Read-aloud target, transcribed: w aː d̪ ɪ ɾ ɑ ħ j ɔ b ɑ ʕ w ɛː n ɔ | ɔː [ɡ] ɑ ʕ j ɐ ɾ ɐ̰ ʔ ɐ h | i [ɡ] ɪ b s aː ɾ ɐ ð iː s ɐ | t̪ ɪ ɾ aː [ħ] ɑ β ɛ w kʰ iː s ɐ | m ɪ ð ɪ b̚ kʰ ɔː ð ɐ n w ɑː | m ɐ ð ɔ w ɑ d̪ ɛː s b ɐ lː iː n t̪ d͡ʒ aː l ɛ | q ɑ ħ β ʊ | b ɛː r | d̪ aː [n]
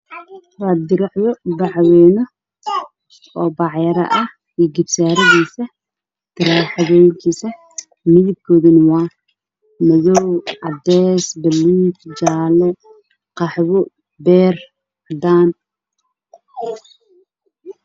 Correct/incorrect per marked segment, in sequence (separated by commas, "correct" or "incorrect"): incorrect, correct, correct, correct